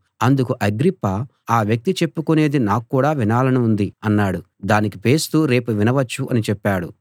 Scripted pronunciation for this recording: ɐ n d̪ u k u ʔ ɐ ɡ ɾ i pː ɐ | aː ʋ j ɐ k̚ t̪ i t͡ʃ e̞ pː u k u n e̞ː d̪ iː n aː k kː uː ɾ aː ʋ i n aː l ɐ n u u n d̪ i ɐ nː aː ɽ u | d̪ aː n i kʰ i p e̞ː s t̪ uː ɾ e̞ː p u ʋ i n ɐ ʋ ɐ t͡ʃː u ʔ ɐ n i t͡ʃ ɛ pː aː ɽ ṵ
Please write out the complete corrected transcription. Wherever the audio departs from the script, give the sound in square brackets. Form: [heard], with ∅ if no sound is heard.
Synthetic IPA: ɐ n d̪ u k u ʔ ɐ ɡ ɾ i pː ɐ | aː ʋ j ɐ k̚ t̪ i t͡ʃ e̞ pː u k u n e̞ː d̪ [i] n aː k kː uː [ɽ] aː ʋ i n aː l ɐ n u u n d̪ i ɐ nː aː ɽ u | d̪ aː n i [k] i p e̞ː s t̪ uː ɾ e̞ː p u ʋ i n ɐ ʋ ɐ t͡ʃː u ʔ ɐ n i t͡ʃ ɛ pː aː ɽ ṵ

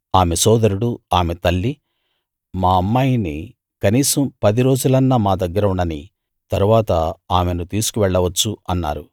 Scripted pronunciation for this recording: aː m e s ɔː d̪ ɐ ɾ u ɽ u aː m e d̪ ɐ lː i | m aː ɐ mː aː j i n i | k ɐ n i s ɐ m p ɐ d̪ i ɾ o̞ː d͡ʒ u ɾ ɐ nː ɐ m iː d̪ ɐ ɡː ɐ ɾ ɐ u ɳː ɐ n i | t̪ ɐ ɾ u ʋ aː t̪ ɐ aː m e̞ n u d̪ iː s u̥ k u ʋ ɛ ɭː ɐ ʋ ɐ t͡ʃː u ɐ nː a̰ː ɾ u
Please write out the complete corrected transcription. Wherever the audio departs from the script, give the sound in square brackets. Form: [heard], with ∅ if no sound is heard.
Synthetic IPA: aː m e s ɔː d̪ ɐ ɾ u ɽ u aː m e [t̪] ɐ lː i | m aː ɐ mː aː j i n i | k ɐ n [iː] s ɐ m p ɐ d̪ i ɾ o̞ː d͡ʒ u [l] ɐ nː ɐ m [aː] d̪ ɐ ɡː ɐ ɾ ɐ u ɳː ɐ n i | t̪ ɐ ɾ u ʋ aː t̪ ɐ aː m e̞ n u [t̪] iː s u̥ k u ʋ ɛ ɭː ɐ ʋ ɐ t͡ʃː u ɐ nː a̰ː ɾ u

